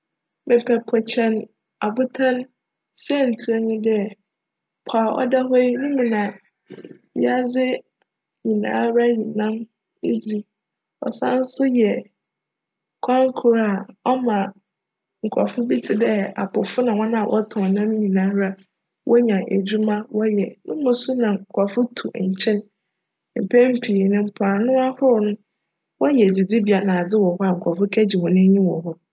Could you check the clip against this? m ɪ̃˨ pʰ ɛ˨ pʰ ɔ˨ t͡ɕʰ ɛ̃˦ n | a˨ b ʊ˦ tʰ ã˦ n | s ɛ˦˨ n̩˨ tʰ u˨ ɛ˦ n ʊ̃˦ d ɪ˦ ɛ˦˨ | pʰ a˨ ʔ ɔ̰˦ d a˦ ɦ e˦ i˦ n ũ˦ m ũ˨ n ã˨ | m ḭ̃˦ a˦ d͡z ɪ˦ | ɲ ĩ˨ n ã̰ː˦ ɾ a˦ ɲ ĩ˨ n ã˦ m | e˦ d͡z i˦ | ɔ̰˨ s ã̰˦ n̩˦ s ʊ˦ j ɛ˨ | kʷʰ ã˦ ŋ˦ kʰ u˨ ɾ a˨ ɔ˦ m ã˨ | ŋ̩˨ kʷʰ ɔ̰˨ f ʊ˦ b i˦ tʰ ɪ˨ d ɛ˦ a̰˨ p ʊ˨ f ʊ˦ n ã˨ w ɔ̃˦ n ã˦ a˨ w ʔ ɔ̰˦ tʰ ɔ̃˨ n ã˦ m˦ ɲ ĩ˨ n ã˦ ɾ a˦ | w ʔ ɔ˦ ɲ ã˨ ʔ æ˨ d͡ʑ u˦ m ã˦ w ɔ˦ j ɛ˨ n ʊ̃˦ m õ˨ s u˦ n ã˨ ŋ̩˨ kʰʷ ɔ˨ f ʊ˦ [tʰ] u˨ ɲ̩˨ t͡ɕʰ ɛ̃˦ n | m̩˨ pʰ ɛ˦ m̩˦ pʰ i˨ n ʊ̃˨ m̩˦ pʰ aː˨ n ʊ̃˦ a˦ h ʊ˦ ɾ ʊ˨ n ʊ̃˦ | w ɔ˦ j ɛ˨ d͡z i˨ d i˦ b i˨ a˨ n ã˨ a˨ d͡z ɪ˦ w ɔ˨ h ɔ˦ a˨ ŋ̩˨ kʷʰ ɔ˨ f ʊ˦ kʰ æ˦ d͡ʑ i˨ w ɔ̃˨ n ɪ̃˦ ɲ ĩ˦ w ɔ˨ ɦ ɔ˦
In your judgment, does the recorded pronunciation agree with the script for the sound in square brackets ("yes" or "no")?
yes